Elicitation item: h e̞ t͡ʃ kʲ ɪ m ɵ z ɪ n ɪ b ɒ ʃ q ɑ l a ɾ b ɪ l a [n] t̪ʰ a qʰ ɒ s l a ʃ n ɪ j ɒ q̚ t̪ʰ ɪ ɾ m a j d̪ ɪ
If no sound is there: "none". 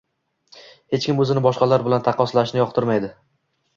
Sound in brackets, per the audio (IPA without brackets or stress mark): n